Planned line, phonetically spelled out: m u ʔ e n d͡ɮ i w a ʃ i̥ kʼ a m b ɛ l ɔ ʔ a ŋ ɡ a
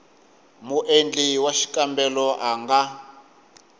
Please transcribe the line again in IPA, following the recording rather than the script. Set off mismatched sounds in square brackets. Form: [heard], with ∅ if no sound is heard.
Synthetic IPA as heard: m u ʔ e n d͡ɮ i w a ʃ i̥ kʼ a m b ɛ l ɔ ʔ a ŋ ɡ a